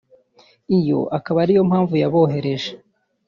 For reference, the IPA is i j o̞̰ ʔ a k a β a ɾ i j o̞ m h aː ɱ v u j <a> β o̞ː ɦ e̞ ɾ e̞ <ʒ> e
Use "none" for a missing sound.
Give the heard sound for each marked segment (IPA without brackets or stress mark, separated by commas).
a, ʒ